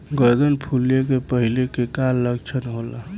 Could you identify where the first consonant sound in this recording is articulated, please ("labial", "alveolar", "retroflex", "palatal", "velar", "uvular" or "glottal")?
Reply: velar